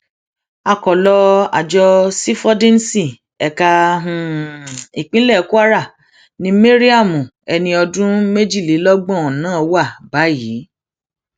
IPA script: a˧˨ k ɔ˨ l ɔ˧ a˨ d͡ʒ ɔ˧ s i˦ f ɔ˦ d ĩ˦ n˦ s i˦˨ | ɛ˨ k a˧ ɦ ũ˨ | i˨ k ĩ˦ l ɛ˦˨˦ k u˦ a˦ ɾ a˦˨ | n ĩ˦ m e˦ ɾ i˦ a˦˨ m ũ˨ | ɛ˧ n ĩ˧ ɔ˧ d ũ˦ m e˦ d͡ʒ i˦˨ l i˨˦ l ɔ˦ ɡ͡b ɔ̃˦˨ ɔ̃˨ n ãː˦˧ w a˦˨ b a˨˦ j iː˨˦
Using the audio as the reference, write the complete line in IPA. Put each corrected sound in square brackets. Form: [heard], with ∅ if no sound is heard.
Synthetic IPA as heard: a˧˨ k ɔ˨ l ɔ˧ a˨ d͡ʒ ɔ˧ s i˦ f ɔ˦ d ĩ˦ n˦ s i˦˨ | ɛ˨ k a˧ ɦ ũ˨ | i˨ [k͡p] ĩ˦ l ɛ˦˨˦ k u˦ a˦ ɾ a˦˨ | n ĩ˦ m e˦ ɾ i˦ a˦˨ m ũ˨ | ɛ˧ n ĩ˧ ɔ˧ d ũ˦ m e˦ d͡ʒ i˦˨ l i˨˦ l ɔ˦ ɡ͡b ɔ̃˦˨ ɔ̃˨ n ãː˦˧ w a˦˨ b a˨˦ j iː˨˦